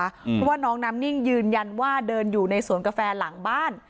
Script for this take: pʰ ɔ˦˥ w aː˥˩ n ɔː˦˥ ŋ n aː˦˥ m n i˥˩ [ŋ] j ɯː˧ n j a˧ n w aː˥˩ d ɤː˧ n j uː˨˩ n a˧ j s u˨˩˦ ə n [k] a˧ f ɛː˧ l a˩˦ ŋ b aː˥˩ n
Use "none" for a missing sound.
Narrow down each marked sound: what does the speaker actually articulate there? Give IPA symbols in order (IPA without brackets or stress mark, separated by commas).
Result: ŋ, k